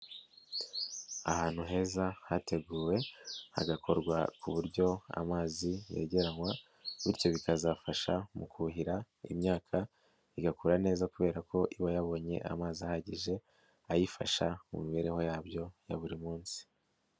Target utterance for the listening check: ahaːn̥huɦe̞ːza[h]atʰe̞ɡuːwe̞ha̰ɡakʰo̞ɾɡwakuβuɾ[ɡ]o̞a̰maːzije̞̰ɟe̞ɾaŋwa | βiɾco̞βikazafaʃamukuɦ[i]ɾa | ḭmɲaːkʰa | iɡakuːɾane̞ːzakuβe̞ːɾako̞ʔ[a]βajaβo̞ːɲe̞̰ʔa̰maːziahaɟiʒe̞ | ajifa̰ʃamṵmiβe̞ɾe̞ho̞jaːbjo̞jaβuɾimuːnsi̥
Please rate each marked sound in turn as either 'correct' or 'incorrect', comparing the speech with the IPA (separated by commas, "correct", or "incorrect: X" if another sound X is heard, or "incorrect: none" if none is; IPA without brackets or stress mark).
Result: correct, incorrect: ɟ, correct, incorrect: i